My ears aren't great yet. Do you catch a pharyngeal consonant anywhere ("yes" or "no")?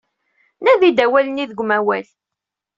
no